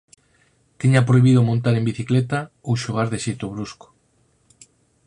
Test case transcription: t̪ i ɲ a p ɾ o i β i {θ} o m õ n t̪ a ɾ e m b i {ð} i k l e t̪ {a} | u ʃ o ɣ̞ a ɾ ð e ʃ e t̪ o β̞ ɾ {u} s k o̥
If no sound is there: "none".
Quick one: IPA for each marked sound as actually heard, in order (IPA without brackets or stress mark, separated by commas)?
ð, θ, a, u